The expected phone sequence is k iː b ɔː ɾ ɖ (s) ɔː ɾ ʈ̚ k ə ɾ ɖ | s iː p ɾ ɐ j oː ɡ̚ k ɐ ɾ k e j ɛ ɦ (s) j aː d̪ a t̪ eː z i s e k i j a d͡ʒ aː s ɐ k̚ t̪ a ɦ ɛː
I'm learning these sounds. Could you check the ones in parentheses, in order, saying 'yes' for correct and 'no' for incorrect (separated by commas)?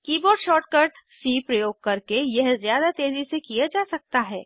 no, no